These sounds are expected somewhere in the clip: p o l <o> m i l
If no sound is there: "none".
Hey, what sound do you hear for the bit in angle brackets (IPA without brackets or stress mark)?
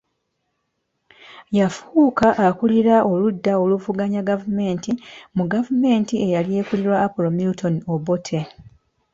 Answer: o